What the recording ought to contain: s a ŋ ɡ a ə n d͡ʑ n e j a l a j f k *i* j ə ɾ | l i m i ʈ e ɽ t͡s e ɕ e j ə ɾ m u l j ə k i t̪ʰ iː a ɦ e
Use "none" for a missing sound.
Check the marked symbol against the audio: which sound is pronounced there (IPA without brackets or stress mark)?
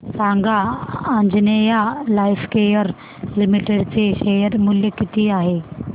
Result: e